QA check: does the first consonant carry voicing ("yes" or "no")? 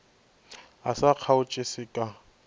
no